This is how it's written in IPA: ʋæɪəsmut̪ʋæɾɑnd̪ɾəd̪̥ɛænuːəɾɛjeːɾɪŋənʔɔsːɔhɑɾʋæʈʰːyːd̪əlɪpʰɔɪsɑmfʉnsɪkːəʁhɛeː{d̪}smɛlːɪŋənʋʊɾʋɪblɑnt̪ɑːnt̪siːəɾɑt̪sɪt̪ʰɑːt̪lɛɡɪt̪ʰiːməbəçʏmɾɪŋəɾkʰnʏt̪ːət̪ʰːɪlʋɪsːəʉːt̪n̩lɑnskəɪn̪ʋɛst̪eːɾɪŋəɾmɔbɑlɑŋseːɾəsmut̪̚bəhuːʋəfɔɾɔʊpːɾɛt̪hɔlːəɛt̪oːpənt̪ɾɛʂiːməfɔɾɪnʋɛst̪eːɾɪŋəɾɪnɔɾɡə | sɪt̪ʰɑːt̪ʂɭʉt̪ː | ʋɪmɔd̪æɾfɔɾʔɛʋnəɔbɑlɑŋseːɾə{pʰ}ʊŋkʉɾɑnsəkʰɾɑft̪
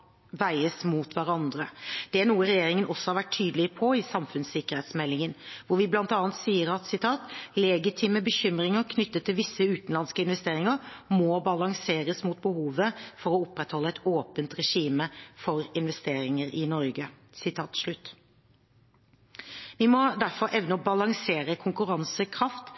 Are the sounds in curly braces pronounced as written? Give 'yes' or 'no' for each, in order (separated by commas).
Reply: no, no